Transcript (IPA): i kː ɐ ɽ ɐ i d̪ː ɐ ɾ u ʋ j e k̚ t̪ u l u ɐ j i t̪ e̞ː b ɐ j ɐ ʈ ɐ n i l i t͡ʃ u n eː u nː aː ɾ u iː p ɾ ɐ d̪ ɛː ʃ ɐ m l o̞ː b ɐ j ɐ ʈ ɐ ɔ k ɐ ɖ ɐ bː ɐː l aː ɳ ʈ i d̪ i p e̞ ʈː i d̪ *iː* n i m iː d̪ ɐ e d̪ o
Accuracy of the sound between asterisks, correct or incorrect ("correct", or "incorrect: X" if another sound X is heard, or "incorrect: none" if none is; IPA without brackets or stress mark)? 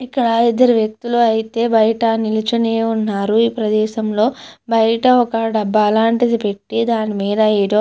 incorrect: aː